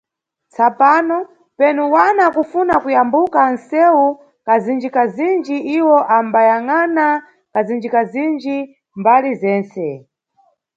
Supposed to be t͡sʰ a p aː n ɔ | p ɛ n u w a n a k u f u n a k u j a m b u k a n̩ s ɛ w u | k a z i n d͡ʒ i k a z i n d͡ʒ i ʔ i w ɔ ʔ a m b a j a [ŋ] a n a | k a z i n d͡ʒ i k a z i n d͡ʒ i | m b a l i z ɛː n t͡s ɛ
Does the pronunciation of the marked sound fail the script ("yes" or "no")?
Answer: no